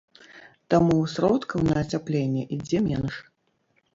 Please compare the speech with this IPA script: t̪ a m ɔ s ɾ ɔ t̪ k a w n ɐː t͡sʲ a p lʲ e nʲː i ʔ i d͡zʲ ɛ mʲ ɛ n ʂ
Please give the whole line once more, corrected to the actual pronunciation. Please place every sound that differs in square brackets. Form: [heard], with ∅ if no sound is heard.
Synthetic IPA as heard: t̪ a m [u] s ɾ ɔ t̪ k [ɐ] w n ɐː t͡sʲ a p lʲ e nʲː [ɛ] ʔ i d͡zʲ ɛ mʲ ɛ n ʂ